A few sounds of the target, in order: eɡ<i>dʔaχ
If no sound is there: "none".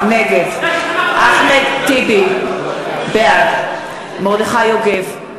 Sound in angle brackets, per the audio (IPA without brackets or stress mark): e